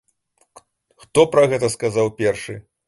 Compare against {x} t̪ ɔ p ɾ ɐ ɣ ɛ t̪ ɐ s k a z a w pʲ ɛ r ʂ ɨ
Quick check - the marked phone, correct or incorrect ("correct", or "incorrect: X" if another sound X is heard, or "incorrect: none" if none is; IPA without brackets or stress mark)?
correct